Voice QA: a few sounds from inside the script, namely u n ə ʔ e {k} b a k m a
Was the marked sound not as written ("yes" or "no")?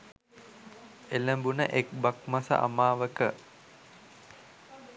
no